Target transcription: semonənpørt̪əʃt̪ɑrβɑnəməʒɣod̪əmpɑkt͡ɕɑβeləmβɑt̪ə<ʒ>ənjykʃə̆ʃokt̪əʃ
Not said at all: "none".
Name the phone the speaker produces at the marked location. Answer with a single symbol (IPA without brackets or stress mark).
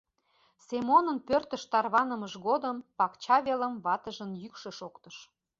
ʒ